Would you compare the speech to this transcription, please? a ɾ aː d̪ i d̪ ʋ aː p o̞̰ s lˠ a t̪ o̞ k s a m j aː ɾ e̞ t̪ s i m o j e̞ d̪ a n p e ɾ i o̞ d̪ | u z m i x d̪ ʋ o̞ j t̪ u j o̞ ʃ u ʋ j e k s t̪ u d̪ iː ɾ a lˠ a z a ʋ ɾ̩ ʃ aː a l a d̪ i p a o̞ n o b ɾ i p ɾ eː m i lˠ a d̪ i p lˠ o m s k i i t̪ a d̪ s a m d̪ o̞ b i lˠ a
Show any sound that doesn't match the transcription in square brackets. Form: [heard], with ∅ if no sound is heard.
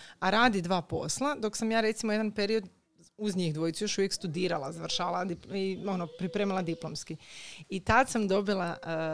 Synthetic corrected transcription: a ɾ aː d̪ i d̪ ʋ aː p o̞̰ s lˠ a [d̪] o̞ k s a m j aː ɾ e̞ t̪ s i m o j e̞ d̪ a n p e ɾ i o̞ d̪ | u z [ɲ] i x d̪ ʋ o̞ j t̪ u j o̞ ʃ u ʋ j e k s t̪ u d̪ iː ɾ a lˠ a z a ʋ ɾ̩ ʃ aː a l a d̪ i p [i] o̞ n o [p] ɾ i p ɾ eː m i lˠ a d̪ i p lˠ o m s k i i t̪ a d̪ s a m d̪ o̞ b i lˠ a